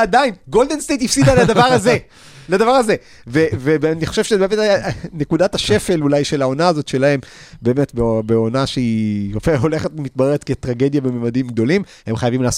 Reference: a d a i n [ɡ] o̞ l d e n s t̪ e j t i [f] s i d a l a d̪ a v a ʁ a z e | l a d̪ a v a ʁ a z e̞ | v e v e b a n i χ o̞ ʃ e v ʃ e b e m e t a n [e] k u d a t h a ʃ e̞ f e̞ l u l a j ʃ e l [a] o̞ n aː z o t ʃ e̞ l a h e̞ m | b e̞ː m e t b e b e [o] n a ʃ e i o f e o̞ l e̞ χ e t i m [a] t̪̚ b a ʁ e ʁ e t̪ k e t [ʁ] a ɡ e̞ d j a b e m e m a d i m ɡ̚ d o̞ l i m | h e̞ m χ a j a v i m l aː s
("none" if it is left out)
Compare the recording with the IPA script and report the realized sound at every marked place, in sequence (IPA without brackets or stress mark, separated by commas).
ɡ, f, e, a, o, i, ʁ